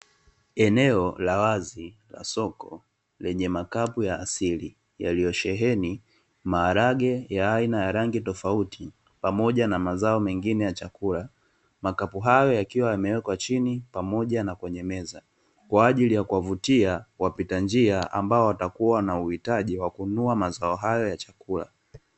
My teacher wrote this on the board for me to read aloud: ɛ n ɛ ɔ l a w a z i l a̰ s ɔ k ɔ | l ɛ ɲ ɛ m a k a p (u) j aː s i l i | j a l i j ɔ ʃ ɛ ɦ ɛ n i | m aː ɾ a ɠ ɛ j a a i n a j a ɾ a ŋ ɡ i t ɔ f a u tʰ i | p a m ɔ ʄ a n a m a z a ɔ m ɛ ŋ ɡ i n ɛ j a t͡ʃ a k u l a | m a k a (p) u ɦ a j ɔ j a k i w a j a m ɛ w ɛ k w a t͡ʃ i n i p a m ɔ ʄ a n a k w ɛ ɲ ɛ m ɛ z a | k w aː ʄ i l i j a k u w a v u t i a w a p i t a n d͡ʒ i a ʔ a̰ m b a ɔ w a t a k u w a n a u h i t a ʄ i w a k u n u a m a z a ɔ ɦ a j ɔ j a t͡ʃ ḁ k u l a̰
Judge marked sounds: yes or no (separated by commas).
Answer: yes, yes